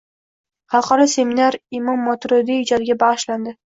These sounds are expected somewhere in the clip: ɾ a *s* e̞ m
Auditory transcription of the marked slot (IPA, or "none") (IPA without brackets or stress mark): s